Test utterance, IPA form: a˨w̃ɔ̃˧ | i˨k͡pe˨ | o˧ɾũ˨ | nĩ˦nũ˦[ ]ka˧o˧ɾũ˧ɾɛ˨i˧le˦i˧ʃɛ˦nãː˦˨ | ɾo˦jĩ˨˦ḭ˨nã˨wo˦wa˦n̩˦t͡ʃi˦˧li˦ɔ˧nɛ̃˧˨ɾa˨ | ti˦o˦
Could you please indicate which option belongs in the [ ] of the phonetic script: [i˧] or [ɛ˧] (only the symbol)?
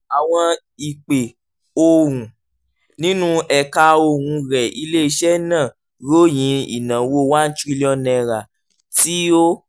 ɛ˧